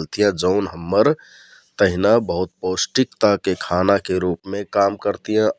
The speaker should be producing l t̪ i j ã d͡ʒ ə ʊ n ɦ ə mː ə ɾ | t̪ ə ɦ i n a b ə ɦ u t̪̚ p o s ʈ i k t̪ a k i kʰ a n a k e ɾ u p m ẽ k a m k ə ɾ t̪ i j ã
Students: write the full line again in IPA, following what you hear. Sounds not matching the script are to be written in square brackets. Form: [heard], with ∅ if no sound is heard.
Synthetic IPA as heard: l t̪ i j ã d͡ʒ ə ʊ n ɦ ə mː ə ɾ | t̪ ə ɦ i n a b ə ɦ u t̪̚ p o s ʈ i k t̪ a k [e] kʰ a n a k e ɾ u p m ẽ k a m k ə ɾ t̪ i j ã